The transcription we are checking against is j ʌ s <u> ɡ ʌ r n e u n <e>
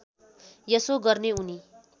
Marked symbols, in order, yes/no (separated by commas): no, no